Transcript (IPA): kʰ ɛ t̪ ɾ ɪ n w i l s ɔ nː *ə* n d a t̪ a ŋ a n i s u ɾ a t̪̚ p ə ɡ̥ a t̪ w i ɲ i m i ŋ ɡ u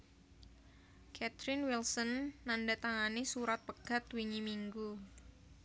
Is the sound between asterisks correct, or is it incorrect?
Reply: incorrect